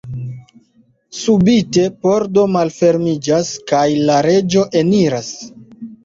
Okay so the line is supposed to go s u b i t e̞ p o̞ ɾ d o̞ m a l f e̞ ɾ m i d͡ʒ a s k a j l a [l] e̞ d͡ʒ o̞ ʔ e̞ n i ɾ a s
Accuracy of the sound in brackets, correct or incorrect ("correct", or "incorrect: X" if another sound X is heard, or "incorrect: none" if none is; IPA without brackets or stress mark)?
incorrect: ɾ